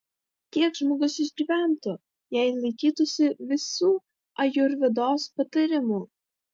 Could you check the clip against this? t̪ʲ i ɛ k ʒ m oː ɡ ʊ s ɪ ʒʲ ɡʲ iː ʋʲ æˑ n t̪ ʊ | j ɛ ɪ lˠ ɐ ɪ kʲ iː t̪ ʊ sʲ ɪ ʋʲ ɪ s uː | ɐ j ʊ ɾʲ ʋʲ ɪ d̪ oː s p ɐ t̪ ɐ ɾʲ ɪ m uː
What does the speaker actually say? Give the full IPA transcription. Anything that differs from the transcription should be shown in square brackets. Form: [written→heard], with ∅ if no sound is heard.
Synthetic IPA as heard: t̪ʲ i ɛ k ʒ m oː ɡ ʊ s ɪ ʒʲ ɡʲ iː ʋʲ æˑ n t̪ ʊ | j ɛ ɪ lˠ ɐ ɪ kʲ iː t̪ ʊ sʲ ɪ ʋʲ ɪ s uː | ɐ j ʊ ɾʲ ʋʲ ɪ d̪ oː s p ɐ t̪ ɐ ɾʲ ɪ m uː